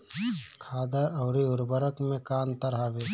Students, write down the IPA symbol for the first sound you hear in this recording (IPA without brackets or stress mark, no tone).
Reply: kʰ